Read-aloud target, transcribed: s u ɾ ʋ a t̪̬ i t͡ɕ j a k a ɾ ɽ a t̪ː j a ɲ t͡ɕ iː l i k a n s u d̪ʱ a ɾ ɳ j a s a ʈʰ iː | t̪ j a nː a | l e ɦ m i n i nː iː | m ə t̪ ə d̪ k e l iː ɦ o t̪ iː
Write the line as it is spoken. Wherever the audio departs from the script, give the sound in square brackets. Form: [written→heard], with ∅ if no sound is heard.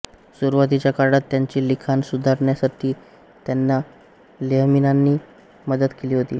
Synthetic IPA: s u ɾ ʋ a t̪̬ i t͡ɕ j a k a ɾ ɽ a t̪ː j a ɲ t͡ɕ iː l i [k→kʰ] a n s u d̪ʱ a ɾ ɳ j a s a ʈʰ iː | t̪ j a nː a | l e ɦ m i n [i→a] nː iː | m ə [t̪→d̪] ə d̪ k e l iː ɦ o t̪ iː